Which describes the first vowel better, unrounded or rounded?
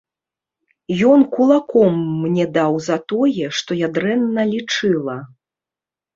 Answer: rounded